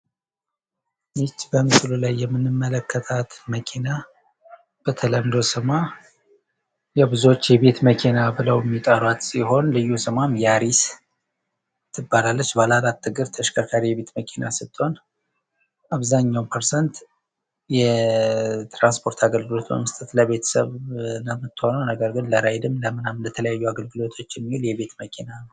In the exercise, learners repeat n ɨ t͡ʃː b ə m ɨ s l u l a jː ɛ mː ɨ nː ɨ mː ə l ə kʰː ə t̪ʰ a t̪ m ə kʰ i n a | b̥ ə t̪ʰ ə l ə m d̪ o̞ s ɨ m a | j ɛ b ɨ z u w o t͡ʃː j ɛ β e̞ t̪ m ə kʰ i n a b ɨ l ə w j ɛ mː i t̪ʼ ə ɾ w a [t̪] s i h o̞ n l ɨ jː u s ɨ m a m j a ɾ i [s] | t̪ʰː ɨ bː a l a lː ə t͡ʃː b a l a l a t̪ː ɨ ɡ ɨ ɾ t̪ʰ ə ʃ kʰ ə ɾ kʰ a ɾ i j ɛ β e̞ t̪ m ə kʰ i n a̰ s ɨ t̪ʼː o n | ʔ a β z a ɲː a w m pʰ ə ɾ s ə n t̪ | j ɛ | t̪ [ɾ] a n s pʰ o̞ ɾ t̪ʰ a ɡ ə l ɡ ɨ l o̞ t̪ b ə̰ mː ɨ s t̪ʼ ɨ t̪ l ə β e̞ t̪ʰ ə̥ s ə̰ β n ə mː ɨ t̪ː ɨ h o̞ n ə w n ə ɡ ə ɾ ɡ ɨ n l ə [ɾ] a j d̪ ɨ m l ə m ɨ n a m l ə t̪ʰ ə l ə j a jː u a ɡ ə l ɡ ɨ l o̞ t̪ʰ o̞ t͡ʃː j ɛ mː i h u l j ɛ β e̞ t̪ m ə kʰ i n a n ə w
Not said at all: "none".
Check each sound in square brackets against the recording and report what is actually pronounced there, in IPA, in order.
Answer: t̪, s, ɾ, ɾ

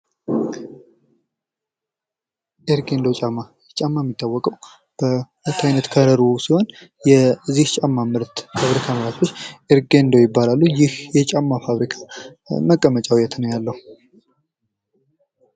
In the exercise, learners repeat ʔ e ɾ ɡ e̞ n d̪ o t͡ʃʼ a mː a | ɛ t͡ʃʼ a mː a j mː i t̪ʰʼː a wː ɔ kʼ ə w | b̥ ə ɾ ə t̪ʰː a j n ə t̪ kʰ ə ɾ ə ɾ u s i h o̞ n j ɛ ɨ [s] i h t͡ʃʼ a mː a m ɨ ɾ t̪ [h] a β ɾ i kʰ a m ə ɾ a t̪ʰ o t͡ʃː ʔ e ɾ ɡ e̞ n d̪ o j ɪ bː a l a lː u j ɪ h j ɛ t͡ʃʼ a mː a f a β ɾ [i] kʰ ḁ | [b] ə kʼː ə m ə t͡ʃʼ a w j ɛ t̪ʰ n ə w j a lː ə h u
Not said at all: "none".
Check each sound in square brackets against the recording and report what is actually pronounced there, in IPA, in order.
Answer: z, f, i, m

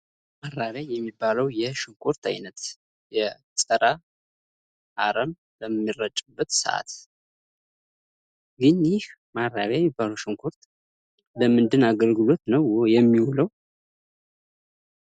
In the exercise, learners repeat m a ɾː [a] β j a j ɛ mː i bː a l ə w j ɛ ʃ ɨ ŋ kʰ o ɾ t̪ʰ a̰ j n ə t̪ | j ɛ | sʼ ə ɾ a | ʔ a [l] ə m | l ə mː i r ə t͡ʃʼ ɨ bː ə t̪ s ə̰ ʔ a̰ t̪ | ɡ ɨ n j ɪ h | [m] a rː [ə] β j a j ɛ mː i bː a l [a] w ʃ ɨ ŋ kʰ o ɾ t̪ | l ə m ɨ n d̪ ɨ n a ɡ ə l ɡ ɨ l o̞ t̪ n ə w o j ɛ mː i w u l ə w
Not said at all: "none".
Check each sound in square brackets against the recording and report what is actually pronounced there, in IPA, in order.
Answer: a, ɾ, m, a, ə

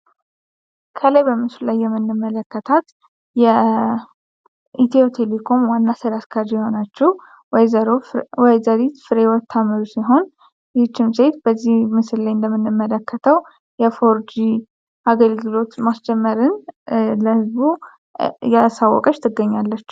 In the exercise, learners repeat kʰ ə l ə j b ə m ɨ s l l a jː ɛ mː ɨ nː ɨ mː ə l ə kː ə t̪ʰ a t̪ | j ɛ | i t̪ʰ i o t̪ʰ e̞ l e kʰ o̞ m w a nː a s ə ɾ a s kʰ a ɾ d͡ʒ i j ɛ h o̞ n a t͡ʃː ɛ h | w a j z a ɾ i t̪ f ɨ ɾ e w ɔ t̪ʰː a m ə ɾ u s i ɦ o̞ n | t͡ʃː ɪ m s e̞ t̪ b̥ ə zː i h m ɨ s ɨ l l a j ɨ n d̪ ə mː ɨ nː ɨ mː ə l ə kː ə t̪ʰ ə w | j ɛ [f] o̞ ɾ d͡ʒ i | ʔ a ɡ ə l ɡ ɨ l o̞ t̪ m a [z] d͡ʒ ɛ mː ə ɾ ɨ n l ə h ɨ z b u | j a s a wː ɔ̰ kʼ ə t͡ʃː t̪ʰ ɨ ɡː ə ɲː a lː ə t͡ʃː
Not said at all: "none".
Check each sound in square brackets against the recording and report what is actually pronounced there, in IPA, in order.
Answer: f, s

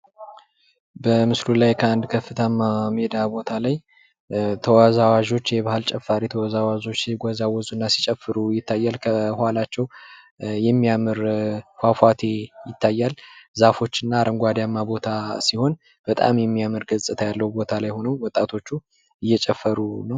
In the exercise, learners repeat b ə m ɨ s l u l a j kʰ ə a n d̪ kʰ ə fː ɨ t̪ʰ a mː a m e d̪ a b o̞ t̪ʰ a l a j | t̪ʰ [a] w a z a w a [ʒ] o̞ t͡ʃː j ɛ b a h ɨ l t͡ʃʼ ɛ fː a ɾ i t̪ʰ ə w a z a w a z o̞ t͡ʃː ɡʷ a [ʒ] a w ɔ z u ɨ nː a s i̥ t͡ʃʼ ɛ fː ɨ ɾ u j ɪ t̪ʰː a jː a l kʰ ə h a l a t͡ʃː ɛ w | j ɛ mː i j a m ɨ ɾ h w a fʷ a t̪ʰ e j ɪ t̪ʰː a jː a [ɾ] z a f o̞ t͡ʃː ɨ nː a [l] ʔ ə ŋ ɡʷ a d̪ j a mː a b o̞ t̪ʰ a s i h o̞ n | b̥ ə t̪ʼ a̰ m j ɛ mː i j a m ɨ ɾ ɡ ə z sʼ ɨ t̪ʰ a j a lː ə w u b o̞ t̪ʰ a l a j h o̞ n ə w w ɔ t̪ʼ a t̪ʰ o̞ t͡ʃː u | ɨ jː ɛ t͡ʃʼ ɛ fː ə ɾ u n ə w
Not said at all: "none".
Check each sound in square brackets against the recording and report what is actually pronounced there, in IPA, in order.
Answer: ə, ʒ, z, l, ɾ

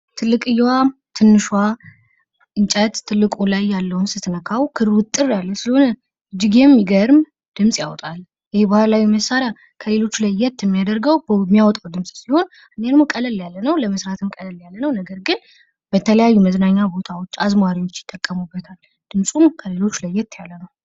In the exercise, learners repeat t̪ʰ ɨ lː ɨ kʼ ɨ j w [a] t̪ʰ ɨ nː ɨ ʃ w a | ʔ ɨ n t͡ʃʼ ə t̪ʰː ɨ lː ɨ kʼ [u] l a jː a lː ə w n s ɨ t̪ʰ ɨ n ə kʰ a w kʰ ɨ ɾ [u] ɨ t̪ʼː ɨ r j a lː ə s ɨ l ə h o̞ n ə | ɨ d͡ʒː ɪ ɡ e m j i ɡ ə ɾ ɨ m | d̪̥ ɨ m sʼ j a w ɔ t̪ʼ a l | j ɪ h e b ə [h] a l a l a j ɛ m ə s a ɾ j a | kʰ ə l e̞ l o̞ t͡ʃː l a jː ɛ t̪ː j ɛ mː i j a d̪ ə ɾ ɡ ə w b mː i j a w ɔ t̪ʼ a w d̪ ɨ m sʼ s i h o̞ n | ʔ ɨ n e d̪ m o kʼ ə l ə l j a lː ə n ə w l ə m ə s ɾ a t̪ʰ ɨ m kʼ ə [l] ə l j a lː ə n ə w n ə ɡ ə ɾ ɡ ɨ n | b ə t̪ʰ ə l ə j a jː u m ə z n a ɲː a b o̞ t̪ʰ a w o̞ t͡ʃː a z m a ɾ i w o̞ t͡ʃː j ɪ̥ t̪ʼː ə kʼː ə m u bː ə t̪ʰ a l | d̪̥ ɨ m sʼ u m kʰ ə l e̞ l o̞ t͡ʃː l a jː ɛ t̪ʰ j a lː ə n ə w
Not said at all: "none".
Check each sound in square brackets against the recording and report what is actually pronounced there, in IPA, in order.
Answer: a, u, w, h, l

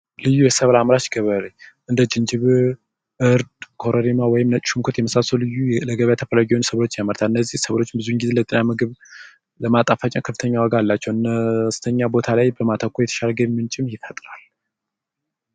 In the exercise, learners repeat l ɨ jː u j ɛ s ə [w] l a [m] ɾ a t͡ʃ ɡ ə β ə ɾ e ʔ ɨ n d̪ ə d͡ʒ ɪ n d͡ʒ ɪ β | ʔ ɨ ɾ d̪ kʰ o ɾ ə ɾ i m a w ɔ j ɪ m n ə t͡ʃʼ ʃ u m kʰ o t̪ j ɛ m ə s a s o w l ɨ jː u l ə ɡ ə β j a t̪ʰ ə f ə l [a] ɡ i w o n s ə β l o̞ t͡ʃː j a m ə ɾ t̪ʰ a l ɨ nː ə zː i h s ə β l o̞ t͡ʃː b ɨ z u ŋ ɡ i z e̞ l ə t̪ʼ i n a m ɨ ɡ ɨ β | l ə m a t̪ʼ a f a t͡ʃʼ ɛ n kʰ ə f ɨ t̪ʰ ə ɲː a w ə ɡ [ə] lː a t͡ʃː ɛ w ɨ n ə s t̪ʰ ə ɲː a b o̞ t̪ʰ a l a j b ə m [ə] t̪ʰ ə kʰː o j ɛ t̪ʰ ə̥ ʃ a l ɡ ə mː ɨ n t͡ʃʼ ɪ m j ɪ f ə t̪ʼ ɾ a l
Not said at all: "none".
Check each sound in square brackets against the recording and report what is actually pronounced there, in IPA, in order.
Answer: β, m, a, a, a

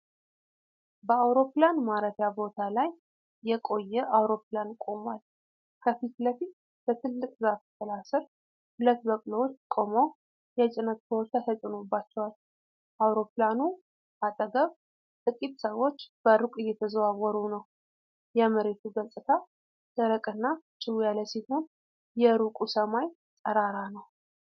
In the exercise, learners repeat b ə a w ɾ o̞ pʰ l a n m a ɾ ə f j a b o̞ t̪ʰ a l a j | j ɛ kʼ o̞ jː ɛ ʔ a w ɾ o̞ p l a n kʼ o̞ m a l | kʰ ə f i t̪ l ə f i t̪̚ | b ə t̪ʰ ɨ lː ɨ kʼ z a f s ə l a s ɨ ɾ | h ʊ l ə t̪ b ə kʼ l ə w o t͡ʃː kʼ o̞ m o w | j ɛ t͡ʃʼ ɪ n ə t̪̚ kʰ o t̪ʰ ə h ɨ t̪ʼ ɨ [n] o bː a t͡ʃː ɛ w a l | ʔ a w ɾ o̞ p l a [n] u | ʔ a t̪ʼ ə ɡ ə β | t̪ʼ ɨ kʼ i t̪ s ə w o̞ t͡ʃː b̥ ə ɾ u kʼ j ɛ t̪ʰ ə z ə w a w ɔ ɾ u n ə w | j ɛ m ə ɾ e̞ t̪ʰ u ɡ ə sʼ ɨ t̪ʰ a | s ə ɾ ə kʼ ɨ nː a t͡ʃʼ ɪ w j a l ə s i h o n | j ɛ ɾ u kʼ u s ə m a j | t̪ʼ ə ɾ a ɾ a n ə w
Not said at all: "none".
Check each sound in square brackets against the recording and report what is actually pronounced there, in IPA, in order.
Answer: n, n

